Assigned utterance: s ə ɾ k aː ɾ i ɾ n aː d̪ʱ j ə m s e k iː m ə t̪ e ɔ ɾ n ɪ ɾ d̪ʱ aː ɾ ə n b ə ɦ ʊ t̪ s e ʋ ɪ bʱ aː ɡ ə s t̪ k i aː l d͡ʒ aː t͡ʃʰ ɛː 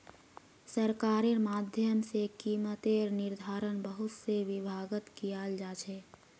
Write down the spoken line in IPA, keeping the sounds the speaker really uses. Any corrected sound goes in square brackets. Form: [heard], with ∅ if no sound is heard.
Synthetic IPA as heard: s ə ɾ k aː ɾ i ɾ [m] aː d̪ʱ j ə m s e k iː m ə t̪ e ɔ ɾ n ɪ ɾ d̪ʱ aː ɾ ə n b ə ɦ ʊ t̪ s e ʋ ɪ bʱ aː ɡ ə [∅] t̪ k i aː l d͡ʒ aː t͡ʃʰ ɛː